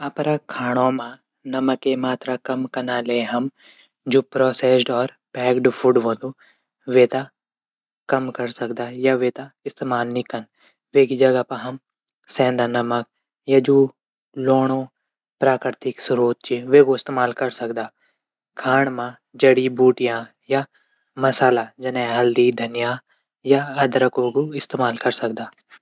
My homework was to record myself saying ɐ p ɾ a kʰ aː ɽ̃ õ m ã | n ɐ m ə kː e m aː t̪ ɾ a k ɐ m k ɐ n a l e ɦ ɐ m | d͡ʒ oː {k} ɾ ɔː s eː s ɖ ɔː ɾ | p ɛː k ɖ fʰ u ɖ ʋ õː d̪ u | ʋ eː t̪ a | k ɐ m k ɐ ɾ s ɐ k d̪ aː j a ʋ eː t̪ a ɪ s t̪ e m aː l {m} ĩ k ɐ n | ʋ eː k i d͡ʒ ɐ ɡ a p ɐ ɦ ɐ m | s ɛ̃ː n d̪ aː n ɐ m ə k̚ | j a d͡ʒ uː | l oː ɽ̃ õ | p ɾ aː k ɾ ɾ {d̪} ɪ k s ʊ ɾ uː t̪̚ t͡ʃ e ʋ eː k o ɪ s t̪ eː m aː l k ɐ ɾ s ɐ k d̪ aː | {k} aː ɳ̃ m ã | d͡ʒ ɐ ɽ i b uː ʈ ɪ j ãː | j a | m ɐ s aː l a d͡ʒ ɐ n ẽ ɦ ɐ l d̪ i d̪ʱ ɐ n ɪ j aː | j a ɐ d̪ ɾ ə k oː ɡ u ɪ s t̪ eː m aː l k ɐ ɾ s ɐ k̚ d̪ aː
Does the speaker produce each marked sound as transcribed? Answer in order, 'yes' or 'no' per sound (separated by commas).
no, no, no, no